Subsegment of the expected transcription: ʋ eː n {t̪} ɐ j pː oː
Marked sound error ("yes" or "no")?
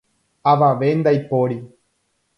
yes